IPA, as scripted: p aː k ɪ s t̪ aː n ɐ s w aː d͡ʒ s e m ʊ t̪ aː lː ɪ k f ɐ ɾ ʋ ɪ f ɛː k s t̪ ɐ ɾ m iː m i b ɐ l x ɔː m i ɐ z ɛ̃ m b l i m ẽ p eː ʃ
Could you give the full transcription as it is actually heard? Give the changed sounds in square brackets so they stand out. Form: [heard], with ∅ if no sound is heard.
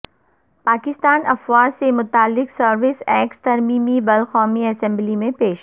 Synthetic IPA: p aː k ɪ s t̪ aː n ɐ [f] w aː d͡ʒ s e m ʊ t̪ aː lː ɪ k [s] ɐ ɾ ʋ ɪ [s] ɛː k s t̪ ɐ ɾ m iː m i b ɐ l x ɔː m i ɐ [s] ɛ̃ m b l i m ẽ p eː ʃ